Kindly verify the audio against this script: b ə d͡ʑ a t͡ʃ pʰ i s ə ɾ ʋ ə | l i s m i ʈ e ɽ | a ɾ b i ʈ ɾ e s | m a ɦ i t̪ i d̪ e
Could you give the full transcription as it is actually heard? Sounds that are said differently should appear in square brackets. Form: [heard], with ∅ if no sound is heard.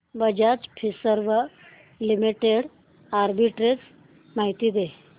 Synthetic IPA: b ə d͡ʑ a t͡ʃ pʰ i s ə ɾ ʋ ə | l i [∅] m i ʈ e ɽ | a ɾ b i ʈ ɾ e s | m a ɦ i t̪ i d̪ e